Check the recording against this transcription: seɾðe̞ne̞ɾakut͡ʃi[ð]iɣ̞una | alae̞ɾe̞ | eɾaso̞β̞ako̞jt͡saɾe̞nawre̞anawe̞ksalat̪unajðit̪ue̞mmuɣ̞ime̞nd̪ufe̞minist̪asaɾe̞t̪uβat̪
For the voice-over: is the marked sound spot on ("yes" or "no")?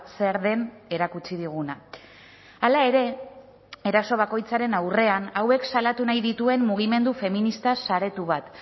yes